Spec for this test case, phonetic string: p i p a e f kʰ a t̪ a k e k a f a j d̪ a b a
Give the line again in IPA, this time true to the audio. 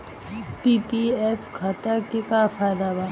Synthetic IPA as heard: p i p i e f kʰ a t̪ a k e k a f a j d̪ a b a